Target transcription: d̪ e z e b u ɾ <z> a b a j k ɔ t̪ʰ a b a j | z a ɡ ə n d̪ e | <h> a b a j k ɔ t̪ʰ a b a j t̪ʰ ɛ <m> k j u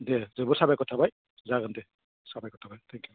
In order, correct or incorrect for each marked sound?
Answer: incorrect: s, incorrect: s, incorrect: ŋ

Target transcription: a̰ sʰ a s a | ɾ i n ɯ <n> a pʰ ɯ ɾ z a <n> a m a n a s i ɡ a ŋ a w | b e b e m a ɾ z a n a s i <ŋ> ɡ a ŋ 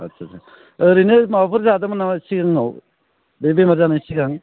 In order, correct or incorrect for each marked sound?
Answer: incorrect: m, incorrect: d, incorrect: none

